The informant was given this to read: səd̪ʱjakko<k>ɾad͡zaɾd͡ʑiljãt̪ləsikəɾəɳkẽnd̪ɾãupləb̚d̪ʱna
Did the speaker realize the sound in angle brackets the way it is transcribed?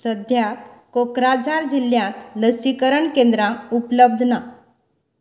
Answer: yes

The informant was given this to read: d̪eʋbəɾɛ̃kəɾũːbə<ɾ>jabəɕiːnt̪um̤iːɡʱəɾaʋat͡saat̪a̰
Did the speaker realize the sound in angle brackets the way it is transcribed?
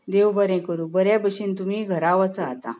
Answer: yes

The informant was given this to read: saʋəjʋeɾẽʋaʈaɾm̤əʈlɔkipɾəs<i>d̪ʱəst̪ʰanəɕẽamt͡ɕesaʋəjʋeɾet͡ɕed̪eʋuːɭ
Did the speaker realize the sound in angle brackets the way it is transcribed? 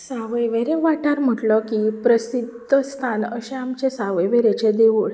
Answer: yes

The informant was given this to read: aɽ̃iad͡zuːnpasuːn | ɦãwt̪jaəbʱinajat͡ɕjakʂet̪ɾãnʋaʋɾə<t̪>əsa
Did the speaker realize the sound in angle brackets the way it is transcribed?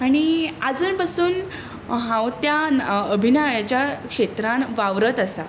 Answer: yes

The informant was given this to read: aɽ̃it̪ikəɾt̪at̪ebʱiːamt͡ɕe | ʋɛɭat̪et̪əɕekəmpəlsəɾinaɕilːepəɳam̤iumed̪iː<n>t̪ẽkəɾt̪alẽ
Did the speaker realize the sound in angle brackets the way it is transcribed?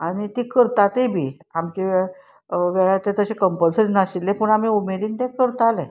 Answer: yes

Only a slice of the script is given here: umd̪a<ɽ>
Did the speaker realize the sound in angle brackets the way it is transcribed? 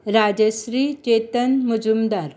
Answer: no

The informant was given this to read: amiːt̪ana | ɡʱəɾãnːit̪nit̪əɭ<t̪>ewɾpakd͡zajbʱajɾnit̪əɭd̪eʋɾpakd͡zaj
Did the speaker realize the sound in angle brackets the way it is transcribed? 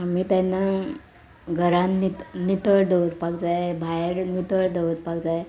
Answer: no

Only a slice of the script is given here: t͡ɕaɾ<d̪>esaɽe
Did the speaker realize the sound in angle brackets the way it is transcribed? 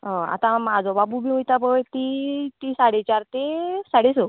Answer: no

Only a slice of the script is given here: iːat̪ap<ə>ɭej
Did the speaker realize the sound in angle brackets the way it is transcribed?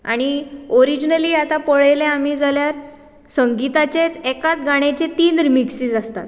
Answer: yes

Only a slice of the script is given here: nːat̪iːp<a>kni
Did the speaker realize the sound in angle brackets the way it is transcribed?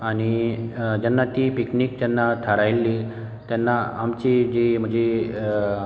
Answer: no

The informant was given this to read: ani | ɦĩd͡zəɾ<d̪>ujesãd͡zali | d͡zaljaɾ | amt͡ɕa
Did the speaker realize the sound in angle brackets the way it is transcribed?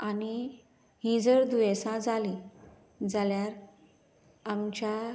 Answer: yes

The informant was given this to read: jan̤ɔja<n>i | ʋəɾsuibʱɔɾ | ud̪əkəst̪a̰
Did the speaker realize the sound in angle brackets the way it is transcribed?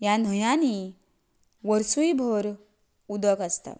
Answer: yes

